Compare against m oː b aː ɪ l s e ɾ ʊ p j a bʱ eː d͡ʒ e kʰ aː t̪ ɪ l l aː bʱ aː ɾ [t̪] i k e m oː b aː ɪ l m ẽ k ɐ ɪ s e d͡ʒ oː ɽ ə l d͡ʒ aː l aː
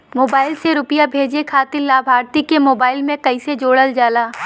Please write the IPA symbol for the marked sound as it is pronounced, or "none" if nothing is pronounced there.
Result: t̪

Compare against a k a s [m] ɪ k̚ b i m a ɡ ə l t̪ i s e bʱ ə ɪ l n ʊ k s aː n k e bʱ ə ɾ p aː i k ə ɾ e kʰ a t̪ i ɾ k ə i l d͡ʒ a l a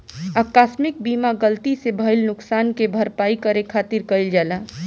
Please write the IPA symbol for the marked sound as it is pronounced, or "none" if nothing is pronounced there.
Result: m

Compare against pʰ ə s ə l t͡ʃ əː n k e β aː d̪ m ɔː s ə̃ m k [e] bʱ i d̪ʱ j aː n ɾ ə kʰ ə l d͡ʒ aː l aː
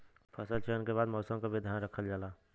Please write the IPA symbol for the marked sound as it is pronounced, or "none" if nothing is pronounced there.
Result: a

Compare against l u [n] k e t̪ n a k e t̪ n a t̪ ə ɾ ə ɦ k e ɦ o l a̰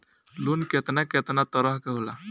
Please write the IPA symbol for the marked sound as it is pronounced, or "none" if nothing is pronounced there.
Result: n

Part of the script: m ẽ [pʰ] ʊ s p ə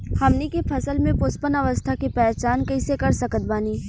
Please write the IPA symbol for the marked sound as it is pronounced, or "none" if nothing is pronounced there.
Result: p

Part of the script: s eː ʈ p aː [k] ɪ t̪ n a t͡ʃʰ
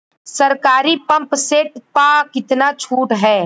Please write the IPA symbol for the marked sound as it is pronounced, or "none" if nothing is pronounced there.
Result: k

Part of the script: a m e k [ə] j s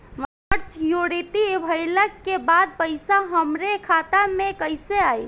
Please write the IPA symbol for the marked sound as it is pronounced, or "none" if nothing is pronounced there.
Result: ə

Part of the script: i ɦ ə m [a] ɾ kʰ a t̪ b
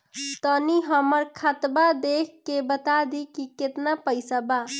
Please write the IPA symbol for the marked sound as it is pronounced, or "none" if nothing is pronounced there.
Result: ə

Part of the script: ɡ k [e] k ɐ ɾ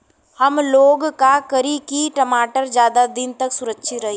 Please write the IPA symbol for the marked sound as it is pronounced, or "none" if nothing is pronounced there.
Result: a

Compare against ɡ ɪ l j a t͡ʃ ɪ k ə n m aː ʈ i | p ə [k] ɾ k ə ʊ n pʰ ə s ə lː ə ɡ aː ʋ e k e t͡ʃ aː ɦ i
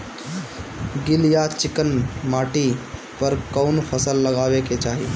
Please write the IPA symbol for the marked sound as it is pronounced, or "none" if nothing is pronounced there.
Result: none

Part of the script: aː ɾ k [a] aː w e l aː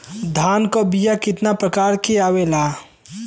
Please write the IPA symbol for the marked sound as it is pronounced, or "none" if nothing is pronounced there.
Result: e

